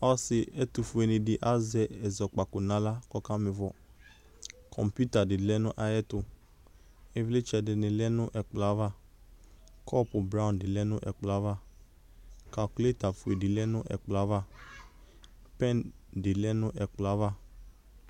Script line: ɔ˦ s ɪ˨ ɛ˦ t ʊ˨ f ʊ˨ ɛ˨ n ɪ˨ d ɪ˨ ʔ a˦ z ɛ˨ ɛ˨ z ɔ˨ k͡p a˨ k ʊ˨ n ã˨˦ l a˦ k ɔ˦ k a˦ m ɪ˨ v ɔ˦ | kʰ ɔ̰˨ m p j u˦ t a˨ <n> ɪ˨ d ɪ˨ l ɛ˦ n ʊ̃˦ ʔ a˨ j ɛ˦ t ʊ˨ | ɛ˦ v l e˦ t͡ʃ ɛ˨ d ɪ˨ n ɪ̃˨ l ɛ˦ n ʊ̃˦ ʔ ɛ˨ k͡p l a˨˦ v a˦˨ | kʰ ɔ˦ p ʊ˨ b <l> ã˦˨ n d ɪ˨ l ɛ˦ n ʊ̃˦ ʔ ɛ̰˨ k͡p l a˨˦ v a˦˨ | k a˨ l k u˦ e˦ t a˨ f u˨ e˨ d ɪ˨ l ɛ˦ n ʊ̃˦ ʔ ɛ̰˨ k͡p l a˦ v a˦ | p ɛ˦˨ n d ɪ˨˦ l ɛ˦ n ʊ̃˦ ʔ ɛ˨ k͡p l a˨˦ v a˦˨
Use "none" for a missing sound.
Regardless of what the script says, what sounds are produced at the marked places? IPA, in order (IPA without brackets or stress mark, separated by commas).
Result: d, ɾ